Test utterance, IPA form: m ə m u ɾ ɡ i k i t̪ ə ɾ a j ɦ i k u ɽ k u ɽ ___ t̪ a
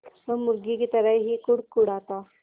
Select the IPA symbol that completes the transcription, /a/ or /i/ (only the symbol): a